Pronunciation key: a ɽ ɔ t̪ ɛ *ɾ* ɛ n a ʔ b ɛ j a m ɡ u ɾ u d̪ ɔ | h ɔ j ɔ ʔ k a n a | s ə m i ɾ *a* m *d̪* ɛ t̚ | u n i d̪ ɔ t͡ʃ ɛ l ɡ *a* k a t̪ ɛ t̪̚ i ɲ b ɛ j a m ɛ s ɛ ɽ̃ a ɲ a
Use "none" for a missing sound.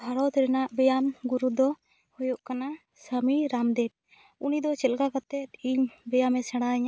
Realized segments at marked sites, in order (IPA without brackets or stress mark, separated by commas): ɾ, a, d̪, a